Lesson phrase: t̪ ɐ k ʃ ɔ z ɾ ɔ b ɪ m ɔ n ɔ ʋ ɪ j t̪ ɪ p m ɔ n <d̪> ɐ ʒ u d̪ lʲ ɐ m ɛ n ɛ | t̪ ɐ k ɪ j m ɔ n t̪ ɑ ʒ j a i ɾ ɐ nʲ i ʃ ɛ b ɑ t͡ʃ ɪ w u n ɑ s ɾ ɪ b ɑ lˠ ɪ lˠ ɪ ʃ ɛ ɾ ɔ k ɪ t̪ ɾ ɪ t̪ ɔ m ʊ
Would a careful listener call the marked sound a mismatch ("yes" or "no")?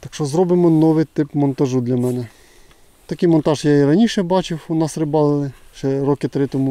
yes